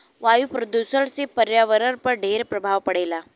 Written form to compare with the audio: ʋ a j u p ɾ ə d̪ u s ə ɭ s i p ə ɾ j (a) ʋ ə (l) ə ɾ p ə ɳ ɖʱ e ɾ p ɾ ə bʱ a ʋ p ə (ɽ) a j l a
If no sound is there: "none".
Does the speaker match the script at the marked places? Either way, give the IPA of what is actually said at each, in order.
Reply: a, ɾ, ɽ

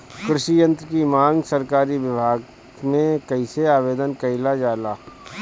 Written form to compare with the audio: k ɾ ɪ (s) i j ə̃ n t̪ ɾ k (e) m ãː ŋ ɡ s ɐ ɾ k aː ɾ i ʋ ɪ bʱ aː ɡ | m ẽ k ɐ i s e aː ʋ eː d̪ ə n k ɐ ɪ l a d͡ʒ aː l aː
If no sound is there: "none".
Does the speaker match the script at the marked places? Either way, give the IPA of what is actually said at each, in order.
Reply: ʃ, i

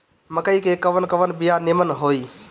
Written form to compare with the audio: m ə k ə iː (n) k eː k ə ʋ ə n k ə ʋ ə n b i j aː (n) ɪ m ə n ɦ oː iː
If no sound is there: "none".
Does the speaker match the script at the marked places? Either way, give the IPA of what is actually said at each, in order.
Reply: none, n

